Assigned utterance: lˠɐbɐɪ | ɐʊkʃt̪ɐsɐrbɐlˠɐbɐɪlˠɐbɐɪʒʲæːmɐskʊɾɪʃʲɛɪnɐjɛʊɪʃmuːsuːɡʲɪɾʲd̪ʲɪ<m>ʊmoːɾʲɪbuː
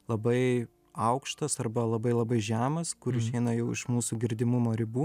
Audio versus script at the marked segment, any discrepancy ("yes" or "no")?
no